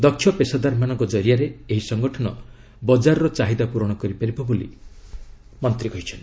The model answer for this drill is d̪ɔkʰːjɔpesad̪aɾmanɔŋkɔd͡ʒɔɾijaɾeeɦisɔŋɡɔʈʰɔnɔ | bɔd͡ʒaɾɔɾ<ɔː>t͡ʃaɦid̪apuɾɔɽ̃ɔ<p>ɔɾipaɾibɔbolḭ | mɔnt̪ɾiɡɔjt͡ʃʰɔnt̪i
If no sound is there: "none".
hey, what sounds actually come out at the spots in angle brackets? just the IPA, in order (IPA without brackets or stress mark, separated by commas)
ɔ, k